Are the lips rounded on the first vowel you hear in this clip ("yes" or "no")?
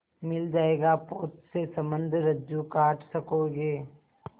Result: no